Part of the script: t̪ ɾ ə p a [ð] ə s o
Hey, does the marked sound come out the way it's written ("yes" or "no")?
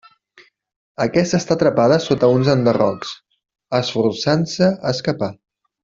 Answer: yes